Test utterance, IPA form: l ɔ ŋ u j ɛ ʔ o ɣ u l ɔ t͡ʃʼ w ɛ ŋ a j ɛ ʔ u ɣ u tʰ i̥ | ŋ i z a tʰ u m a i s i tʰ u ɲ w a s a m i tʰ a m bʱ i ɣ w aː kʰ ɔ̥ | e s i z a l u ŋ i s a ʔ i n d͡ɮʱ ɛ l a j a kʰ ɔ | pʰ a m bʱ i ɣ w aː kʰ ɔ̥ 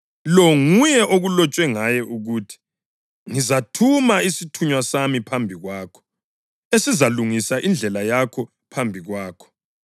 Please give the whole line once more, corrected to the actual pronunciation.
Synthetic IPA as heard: l ɔ ŋ u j ɛ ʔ o ɣ u l ɔ t͡ʃʼ w ɛ ŋ a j ɛ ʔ u ɣ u tʰ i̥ | ŋ i z a tʰ u m a i s i tʰ u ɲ w a s a m i pʰ a m bʱ i ɣ w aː kʰ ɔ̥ | e s i z a l u ŋ i s a ʔ i n d͡ɮʱ ɛ l a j a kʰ ɔ | pʰ a m bʱ i ɣ w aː kʰ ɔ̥